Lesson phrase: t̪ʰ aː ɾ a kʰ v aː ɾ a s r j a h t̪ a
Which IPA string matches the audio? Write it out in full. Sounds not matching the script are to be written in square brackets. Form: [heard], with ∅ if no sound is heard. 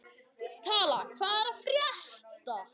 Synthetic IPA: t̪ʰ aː [l] a kʰ v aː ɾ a [f] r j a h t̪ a